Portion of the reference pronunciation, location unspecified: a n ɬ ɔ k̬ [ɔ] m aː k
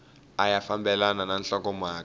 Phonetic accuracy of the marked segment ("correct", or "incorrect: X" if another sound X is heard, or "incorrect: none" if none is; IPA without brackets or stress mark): correct